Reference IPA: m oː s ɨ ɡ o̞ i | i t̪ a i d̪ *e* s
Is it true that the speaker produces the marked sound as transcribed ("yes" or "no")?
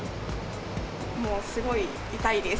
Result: yes